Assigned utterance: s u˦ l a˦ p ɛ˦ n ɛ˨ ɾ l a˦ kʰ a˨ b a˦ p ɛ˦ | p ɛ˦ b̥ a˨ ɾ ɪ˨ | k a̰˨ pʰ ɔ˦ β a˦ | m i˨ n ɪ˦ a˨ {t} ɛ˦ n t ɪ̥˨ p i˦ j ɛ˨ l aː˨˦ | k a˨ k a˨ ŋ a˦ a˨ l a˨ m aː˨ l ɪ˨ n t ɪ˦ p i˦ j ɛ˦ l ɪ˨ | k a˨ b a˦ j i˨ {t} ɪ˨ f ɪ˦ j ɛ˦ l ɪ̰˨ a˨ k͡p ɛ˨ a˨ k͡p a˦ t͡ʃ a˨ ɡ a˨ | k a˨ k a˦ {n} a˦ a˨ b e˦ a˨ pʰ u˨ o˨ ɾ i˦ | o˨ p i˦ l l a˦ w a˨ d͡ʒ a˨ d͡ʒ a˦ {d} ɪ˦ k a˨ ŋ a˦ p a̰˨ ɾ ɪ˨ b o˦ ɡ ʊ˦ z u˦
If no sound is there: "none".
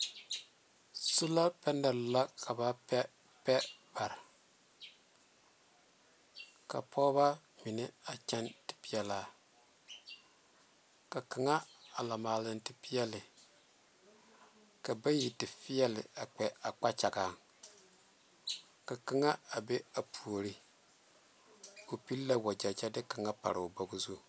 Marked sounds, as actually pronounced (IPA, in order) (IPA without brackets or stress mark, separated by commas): t͡ʃ, t, ŋ, d